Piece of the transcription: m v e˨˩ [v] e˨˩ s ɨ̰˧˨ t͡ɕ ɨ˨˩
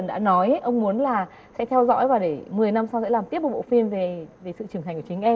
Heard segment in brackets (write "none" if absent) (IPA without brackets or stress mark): v